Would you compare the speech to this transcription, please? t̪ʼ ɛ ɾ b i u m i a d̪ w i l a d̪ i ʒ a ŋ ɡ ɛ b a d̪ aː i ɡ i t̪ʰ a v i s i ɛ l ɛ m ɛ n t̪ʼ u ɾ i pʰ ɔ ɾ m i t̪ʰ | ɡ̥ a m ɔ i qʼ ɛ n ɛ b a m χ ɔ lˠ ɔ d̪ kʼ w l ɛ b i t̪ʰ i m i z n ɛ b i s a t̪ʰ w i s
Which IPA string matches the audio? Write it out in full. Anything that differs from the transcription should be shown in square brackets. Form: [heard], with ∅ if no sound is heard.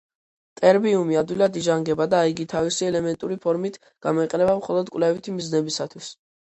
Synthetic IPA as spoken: t̪ʼ ɛ ɾ b i u m i a d̪ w i l a d̪ i ʒ a ŋ ɡ ɛ b a d̪ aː i ɡ i t̪ʰ a v i s i ɛ l ɛ m ɛ n t̪ʼ u ɾ i pʰ ɔ ɾ m i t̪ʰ | ɡ̥ a m ɔ i qʼ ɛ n ɛ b a m χ ɔ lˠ ɔ d̪ kʼ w l ɛ [v] i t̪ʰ i m i z n ɛ b i s a t̪ʰ w i s